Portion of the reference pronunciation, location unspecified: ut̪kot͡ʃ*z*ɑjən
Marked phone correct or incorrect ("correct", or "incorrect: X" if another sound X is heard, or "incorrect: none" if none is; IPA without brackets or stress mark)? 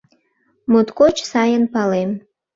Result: incorrect: s